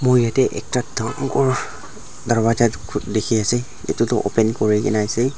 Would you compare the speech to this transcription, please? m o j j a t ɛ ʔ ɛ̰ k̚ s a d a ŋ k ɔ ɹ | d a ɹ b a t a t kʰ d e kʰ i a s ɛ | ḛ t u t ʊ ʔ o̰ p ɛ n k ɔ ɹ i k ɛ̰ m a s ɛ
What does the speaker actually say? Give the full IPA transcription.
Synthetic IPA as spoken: m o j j a t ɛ ʔ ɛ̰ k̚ t a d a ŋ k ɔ ɹ | d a ɹ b a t a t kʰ d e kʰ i a s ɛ | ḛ t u t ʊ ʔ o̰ p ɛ n k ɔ ɹ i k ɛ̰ n a s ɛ